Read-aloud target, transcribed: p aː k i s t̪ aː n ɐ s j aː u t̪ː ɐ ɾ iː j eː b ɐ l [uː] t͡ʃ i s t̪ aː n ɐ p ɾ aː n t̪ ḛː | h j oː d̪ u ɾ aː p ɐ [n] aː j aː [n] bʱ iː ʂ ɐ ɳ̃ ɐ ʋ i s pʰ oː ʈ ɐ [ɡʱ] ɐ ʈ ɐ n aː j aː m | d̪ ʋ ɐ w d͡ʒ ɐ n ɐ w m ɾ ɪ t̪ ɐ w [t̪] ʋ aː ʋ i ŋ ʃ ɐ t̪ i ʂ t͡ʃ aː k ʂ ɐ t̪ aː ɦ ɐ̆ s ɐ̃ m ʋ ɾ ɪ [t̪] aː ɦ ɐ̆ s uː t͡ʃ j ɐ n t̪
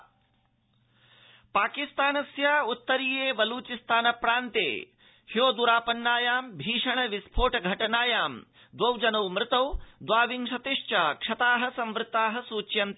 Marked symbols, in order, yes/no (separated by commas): yes, no, no, yes, no, yes